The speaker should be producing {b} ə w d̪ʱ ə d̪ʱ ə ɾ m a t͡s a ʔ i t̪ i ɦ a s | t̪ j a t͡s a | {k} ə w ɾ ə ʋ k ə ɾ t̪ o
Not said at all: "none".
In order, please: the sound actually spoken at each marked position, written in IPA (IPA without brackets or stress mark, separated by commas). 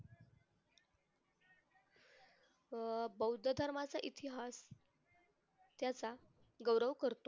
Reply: b, ɡ